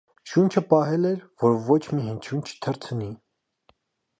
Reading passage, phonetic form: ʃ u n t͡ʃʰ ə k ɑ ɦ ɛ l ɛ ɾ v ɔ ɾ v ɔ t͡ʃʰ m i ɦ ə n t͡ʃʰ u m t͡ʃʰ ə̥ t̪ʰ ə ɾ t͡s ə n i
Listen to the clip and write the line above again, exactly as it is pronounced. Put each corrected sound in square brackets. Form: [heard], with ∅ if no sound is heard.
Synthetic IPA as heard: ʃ u n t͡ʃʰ ə [p] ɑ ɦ ɛ l ɛ ɾ v ɔ ɾ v ɔ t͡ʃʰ m i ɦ ə n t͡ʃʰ u [n] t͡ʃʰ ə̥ t̪ʰ ə ɾ [t͡sʰ] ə n i